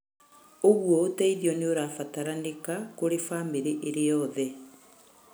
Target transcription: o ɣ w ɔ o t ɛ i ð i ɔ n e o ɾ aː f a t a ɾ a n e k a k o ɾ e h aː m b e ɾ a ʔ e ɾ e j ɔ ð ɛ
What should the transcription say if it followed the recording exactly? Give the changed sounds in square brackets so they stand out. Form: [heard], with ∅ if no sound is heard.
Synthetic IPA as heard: o ɣ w ɔ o t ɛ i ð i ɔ n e o ɾ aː f a t a ɾ a n e k a k o ɾ e [f] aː m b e ɾ [e] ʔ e ɾ e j ɔ ð ɛ